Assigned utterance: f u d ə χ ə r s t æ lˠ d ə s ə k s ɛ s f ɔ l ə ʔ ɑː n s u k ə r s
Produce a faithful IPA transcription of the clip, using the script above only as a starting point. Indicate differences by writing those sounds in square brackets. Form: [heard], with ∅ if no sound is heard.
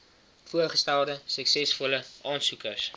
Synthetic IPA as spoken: f u [∅] ə χ ə [∅] s t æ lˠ d ə s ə k s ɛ s f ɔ l ə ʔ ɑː n s u k ə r s